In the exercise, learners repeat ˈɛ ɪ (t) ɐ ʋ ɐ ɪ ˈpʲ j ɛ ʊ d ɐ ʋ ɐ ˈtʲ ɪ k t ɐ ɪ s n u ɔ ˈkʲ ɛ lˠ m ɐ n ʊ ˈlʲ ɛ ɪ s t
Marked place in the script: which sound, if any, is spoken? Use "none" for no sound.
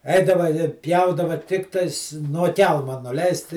d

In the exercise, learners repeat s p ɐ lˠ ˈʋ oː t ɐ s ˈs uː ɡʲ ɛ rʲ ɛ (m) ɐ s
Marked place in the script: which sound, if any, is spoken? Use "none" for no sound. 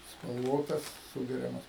m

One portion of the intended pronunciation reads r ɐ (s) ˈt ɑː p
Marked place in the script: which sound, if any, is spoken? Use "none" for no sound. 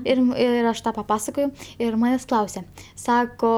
ʃ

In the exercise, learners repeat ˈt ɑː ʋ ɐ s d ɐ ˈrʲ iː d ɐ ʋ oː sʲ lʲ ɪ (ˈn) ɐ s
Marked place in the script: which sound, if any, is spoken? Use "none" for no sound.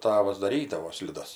d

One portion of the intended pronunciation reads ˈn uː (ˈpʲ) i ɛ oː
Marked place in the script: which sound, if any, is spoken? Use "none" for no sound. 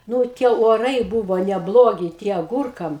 tʲ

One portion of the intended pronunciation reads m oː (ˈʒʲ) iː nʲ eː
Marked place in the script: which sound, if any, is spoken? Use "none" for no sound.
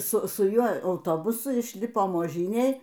ʒʲ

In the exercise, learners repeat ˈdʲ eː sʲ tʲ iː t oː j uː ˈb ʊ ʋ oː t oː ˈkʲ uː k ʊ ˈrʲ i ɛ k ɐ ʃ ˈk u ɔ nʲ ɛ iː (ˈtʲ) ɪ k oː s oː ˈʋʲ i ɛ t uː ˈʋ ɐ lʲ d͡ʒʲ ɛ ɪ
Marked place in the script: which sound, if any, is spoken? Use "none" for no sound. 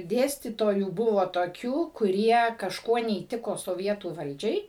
tʲ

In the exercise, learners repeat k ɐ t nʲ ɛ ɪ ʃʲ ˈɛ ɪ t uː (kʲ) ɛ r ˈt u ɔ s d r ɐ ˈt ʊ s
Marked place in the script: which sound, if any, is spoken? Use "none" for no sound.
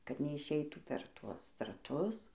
pʲ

